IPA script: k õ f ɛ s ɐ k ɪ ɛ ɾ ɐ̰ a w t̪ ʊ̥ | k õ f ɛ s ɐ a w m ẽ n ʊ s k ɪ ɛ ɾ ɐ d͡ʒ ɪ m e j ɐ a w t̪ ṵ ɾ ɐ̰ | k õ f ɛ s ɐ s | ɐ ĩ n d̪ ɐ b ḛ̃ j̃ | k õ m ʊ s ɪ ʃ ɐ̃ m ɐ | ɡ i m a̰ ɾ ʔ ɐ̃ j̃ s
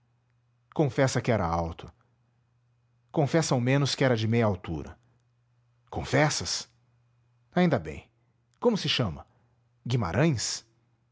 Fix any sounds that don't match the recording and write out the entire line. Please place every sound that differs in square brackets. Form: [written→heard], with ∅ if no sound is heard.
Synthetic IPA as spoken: k õ f ɛ s ɐ k ɪ ɛ ɾ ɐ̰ a w t̪ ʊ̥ | k õ f ɛ s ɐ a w m ẽ n ʊ s k ɪ ɛ ɾ ɐ d͡ʒ ɪ m e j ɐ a w t̪ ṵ ɾ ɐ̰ | k õ f ɛ s ɐ s | [ɐ→a] ĩ n d̪ ɐ b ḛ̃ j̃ | k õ m ʊ s ɪ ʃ ɐ̃ m ɐ | ɡ i m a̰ ɾ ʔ ɐ̃ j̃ s